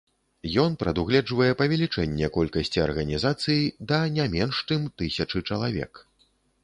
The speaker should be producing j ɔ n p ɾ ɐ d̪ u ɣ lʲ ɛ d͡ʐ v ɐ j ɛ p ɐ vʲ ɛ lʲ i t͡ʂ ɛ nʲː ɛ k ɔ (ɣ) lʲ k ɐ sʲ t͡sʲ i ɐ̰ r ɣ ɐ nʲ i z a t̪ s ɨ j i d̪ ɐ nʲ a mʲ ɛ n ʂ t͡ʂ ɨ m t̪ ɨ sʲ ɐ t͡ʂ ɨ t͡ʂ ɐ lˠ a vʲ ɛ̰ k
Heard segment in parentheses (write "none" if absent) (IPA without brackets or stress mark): none